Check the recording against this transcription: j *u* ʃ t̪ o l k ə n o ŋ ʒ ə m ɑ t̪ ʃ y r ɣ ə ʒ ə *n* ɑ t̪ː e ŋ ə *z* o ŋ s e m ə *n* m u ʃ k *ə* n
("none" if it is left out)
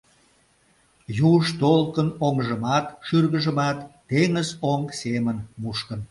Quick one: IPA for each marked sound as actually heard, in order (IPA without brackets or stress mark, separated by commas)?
u, m, z, n, ə